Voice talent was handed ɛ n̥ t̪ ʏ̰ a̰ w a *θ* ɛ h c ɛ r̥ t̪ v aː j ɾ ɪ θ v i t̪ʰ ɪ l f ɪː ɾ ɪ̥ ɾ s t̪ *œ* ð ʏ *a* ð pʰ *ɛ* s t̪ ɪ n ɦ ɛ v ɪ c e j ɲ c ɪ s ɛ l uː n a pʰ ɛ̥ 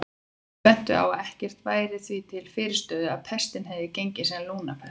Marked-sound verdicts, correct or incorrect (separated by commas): incorrect, incorrect, correct, correct